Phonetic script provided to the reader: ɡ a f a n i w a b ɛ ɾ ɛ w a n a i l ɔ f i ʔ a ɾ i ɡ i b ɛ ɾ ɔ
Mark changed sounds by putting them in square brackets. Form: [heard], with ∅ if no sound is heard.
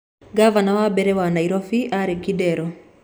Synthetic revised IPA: ɡ a [v] a n [a] w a b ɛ ɾ ɛ w a n a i [ɾ] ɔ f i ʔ a ɾ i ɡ i [d] ɛ ɾ ɔ